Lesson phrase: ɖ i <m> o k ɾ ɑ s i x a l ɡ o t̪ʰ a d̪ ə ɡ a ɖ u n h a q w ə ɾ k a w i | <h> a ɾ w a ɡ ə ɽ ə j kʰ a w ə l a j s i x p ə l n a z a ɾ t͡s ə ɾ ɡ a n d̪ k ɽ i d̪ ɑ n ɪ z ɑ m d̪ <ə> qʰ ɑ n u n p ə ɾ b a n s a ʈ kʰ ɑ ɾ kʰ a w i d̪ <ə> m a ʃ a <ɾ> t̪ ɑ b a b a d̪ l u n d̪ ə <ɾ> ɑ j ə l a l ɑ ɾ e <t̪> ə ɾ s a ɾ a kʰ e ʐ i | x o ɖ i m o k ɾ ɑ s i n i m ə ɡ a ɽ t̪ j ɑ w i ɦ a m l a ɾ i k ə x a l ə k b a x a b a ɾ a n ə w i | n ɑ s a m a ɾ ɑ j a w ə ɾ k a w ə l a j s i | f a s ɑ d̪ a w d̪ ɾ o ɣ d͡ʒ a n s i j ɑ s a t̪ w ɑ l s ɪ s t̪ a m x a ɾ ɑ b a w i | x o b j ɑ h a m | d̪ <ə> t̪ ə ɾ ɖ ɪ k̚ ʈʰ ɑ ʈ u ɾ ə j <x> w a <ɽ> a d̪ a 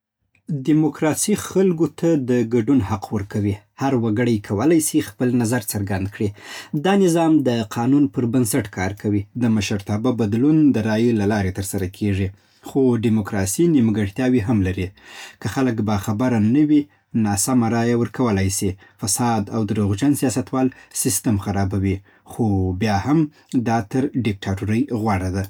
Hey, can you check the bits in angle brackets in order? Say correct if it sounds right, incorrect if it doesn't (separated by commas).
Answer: correct, correct, correct, correct, correct, correct, correct, incorrect, incorrect, correct